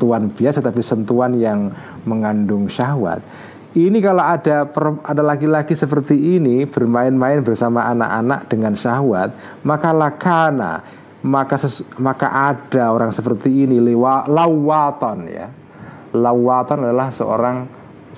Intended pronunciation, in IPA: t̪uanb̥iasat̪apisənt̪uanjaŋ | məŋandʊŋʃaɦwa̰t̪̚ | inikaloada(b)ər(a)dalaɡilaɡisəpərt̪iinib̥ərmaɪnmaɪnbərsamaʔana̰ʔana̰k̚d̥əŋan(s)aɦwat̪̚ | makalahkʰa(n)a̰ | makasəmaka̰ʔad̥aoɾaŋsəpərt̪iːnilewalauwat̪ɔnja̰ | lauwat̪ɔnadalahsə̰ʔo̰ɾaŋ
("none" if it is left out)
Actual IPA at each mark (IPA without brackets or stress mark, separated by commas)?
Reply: p, a, ʃ, n